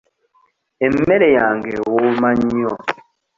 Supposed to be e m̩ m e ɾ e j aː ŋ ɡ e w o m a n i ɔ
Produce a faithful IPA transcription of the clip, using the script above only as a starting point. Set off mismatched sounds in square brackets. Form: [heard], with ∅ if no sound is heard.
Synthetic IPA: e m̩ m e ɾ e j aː ŋ ɡ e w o m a [ɲ] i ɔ